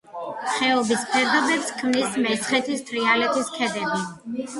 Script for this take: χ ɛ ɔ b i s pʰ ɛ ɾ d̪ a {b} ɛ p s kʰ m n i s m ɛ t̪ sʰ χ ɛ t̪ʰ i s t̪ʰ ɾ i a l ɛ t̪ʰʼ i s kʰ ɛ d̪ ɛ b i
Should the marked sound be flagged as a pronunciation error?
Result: no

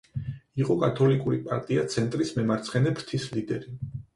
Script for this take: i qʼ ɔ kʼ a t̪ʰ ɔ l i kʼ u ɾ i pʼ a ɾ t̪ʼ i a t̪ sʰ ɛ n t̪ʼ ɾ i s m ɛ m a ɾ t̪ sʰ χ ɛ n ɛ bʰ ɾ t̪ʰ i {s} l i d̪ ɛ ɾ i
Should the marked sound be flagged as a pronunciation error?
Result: no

